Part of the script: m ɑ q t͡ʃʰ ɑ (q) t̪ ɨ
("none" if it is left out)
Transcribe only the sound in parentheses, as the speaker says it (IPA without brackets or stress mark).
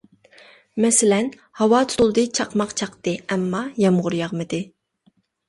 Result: q